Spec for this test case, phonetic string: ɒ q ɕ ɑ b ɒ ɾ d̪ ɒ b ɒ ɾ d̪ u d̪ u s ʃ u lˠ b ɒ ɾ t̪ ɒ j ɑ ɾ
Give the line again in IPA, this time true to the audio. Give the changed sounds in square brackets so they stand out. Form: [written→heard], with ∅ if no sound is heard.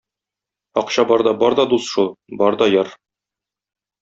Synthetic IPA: ɒ q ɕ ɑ b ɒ ɾ d̪ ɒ b ɒ ɾ d̪ [u→ɒ] d̪ u s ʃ u lˠ b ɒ ɾ [t̪→d̪] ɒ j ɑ ɾ